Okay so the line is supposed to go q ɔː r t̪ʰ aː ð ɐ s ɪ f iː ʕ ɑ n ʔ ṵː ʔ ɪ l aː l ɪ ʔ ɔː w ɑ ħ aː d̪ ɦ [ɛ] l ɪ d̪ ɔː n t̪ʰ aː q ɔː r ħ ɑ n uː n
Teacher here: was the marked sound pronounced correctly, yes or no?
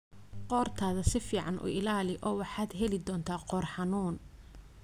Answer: yes